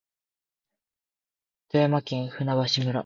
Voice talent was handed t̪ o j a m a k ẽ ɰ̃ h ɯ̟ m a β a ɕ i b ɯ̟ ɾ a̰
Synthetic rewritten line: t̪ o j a m a k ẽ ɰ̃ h ɯ̟ n a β a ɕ i m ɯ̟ ɾ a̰